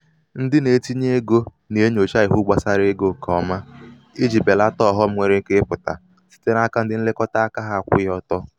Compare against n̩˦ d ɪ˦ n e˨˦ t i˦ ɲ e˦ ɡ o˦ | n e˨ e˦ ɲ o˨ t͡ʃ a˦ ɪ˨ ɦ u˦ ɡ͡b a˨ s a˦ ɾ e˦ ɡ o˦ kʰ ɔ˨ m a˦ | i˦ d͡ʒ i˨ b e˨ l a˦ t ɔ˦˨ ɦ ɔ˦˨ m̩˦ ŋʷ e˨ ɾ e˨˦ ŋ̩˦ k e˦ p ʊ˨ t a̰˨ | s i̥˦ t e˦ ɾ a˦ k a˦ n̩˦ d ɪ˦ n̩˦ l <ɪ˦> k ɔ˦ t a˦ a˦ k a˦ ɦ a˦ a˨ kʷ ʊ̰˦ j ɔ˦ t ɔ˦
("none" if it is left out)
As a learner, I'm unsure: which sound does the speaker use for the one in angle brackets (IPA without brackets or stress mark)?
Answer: ɪ˦